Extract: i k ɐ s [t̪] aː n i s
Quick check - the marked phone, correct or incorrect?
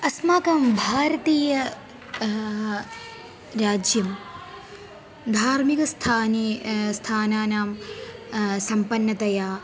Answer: incorrect